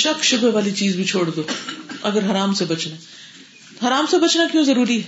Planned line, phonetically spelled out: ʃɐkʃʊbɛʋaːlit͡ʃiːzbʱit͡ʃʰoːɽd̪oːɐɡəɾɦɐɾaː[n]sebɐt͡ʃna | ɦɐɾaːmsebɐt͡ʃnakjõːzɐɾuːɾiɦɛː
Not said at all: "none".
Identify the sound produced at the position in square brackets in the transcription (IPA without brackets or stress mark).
m